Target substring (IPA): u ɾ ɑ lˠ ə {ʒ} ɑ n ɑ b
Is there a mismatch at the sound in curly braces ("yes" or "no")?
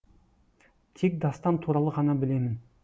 yes